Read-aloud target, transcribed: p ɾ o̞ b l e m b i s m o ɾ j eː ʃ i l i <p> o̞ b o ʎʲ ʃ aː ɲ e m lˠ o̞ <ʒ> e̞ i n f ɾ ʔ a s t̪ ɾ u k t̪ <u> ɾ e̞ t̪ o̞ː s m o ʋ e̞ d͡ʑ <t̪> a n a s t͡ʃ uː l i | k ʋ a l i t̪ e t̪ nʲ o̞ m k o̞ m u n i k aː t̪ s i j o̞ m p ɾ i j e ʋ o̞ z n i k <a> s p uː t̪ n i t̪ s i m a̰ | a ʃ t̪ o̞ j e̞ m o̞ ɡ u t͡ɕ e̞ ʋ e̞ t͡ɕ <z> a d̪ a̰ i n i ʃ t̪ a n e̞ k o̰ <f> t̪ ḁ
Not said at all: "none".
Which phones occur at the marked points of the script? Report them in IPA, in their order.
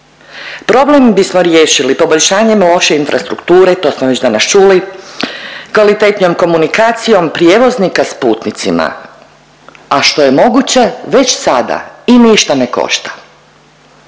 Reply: p, ʃ, uː, d̪, a, s, ʃ

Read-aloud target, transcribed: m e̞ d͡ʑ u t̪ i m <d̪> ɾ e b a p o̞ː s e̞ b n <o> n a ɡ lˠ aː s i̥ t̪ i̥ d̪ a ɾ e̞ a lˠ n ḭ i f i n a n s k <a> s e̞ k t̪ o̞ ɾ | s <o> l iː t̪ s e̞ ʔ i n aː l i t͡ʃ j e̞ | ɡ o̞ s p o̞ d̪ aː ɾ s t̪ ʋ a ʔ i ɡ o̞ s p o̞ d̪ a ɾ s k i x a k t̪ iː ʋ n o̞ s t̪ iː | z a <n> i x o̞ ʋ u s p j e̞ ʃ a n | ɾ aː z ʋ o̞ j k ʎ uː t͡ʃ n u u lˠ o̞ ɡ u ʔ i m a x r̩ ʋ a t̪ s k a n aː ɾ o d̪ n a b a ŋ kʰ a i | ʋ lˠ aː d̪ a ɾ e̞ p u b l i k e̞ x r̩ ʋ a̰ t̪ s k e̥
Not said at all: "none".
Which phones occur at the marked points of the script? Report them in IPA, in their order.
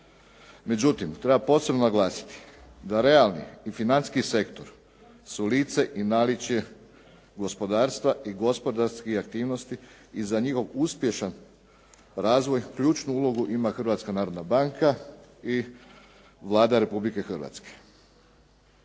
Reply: t̪, o, i, u, ɲ

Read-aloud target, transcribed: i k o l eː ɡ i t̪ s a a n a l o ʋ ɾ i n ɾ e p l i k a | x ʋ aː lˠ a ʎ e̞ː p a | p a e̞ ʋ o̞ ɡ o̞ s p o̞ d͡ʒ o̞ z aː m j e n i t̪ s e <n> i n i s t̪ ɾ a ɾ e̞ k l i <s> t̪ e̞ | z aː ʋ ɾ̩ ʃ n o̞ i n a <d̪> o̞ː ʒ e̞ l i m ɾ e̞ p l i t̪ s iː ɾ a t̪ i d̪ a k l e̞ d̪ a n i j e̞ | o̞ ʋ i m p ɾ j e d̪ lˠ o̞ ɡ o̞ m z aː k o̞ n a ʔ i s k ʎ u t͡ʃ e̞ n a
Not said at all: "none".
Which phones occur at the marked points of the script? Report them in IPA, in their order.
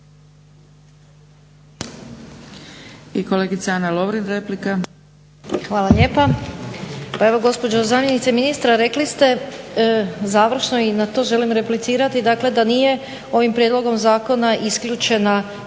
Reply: m, s, t̪

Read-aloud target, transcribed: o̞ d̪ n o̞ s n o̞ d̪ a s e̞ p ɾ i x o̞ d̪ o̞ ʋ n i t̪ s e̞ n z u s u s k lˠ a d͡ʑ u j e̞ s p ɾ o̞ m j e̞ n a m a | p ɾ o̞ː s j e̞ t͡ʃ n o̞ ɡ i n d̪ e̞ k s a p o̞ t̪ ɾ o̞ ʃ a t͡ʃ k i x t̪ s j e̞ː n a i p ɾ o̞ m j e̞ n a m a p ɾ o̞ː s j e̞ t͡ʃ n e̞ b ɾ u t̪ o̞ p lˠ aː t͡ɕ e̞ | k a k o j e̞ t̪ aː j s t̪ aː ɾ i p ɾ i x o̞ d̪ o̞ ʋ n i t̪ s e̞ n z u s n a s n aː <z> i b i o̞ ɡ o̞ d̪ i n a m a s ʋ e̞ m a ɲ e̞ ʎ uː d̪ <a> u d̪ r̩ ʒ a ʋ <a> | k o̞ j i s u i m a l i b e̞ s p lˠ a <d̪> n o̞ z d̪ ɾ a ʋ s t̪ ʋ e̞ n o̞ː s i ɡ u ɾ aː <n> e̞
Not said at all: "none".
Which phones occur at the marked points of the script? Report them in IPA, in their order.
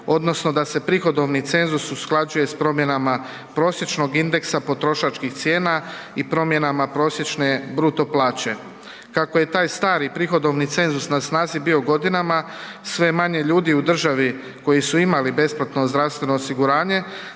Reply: z, i, i, t̪, ɲ

